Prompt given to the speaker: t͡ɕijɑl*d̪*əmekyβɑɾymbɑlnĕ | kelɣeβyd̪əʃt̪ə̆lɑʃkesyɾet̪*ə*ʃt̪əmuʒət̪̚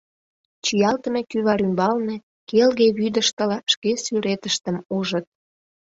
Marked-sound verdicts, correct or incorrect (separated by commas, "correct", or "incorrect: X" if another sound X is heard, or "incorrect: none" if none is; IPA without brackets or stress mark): incorrect: t̪, correct